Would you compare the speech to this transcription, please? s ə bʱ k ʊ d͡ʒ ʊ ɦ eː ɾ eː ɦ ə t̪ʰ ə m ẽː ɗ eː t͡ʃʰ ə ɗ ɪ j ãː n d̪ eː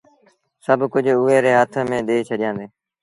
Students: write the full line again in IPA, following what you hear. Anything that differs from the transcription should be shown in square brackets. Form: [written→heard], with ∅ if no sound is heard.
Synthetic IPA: s ə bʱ k ʊ d͡ʒ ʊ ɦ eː ɾ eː ɦ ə t̪ʰ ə m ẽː ɗ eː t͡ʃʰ ə ɗ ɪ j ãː n d̪ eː